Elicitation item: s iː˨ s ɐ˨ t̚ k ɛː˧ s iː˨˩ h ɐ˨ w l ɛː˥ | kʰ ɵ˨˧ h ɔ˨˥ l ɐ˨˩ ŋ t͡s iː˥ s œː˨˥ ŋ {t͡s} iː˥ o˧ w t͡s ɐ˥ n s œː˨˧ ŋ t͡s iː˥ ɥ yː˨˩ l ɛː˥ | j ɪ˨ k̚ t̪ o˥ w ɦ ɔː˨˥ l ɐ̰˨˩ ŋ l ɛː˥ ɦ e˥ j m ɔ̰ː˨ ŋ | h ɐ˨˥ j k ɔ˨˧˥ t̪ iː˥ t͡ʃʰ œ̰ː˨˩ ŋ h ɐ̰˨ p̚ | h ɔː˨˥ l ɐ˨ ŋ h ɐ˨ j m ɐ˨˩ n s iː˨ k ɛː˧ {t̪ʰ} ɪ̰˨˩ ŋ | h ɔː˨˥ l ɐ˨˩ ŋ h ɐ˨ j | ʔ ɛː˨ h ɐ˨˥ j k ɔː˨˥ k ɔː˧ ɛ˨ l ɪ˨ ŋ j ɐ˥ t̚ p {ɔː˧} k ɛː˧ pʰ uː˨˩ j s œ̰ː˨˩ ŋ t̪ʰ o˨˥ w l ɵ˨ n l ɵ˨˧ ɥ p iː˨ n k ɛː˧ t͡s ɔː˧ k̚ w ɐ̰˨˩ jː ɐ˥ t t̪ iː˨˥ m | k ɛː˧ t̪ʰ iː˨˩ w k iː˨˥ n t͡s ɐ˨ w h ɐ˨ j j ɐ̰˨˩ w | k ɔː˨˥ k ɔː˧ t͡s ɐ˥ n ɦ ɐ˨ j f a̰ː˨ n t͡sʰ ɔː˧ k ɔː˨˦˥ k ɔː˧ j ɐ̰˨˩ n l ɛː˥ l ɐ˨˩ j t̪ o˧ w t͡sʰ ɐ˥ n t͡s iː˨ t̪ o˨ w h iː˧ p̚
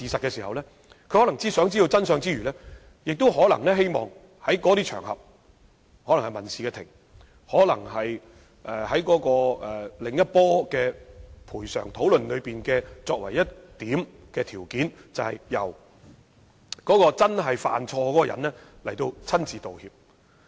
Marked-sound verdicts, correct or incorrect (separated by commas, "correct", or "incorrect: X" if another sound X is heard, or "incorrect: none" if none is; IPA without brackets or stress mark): correct, correct, incorrect: ɔː˥